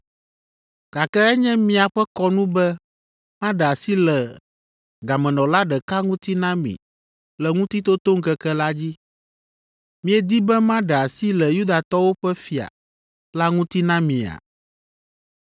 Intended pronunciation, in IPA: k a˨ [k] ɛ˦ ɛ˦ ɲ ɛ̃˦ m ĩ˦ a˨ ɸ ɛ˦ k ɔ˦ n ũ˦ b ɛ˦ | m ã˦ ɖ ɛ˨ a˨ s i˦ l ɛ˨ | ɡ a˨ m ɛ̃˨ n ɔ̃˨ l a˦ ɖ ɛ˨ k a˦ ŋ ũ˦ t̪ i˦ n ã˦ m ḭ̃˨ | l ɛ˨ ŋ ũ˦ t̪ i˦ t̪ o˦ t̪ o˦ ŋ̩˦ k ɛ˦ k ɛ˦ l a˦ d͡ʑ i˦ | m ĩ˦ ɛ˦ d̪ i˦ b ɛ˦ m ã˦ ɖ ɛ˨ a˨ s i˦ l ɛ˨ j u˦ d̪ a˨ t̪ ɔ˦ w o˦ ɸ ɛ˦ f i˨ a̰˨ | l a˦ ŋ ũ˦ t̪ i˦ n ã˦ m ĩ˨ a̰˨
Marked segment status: correct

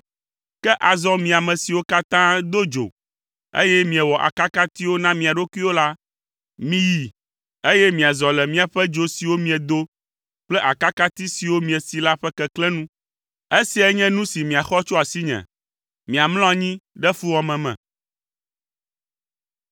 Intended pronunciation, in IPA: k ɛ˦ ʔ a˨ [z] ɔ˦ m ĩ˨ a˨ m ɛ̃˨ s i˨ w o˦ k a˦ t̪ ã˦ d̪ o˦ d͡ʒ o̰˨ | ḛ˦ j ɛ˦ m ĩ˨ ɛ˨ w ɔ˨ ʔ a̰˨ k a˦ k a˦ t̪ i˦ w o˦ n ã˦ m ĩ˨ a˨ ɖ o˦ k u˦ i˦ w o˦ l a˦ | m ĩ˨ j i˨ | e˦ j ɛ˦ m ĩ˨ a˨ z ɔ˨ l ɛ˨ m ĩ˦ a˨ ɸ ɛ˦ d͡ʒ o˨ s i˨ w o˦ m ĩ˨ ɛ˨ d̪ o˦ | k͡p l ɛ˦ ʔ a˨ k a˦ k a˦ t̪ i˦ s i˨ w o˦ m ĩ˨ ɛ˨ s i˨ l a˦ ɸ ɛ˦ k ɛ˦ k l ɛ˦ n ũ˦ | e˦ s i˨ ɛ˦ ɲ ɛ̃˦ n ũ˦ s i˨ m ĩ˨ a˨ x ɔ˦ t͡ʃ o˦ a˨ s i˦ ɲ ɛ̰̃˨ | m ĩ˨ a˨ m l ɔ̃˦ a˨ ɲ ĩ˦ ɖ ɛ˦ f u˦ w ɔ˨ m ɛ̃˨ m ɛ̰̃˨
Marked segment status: correct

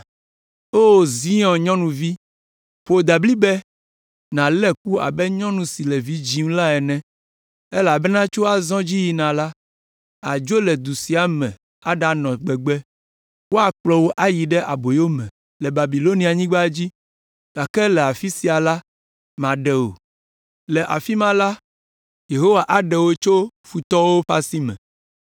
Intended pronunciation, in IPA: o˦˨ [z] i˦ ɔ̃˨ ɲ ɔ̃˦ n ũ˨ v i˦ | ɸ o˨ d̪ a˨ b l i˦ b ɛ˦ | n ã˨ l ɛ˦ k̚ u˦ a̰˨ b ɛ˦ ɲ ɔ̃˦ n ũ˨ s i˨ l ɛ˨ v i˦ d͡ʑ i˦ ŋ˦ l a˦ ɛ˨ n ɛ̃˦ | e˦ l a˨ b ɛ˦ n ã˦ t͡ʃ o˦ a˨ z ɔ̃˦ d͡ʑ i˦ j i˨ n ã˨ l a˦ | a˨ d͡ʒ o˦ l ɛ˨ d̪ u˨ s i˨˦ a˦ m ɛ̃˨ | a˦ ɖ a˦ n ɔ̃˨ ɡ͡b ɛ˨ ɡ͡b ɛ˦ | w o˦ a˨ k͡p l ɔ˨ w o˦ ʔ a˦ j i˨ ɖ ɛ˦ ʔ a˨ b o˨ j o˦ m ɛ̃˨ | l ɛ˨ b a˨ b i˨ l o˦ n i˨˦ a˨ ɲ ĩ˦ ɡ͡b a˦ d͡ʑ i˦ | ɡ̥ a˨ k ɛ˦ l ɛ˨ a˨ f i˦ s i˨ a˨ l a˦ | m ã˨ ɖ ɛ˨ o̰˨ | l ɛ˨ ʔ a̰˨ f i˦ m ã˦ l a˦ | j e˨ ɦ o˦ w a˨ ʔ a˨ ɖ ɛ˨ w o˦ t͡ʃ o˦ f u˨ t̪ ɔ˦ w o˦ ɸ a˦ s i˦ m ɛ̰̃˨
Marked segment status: correct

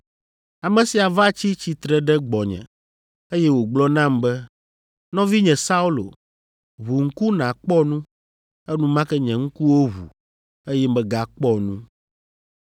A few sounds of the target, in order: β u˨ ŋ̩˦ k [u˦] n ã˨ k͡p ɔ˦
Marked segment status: correct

